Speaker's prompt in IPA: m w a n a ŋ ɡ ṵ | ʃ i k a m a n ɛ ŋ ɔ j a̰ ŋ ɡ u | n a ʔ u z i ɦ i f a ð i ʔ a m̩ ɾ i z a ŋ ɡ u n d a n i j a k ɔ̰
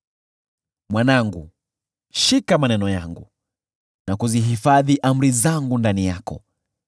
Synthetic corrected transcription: m w a n a ŋ ɡ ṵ | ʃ i k a m a n ɛ n ɔ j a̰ ŋ ɡ u | n a k u z i ɦ i f a ð i ʔ a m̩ ɾ i z a ŋ ɡ u n d a n i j a k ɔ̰